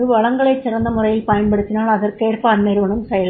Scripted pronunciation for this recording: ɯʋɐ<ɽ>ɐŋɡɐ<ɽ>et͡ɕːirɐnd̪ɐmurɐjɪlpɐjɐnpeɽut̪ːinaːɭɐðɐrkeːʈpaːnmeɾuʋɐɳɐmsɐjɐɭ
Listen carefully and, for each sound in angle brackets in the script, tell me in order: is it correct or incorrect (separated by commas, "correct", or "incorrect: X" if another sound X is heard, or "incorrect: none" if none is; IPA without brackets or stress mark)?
incorrect: ɭ, incorrect: ɭ